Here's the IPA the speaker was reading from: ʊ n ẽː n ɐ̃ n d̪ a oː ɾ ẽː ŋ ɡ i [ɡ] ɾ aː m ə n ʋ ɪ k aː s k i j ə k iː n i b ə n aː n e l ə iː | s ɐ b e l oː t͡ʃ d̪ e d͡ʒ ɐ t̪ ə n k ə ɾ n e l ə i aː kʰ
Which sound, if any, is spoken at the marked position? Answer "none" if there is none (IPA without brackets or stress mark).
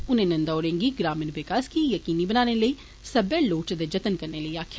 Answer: ɡ